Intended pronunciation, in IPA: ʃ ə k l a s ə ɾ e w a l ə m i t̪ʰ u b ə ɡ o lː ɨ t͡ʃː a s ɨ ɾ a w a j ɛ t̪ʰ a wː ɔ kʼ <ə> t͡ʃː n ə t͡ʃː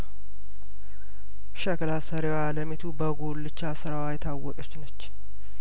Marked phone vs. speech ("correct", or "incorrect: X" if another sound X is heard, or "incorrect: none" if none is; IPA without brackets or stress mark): correct